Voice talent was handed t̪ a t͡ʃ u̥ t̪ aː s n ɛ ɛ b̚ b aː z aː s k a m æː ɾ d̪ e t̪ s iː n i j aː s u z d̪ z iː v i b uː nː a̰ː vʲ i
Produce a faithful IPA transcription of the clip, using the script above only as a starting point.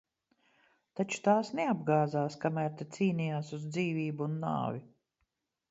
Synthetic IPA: t̪ a t͡ʃ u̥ t̪ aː s n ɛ a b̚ ɡ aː z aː s k a m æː ɾ t̪ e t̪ s iː n i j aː s u z d̪ z iː v iː b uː nː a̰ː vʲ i